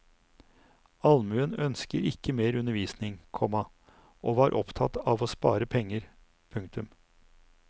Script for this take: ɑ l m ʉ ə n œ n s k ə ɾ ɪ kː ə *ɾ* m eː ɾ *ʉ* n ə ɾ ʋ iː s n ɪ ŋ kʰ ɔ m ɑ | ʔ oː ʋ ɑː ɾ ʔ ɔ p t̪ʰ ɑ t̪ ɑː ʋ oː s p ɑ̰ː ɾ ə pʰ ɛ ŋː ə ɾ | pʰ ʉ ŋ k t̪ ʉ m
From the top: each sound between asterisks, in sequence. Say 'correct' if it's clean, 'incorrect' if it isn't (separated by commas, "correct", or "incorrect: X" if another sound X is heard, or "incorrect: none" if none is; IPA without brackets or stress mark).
incorrect: none, correct